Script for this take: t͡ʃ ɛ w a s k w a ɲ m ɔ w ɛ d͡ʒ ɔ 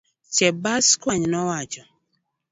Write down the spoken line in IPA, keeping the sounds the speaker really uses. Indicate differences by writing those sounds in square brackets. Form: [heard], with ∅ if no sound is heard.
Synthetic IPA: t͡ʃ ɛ [b] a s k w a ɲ [n] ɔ w [a] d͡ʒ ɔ